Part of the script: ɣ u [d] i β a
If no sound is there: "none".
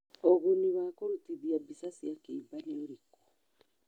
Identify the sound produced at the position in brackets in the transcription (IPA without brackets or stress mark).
n